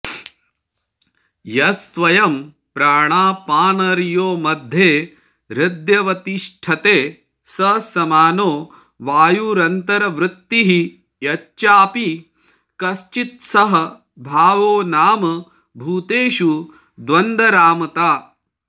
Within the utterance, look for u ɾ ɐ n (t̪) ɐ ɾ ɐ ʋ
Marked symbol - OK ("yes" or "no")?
yes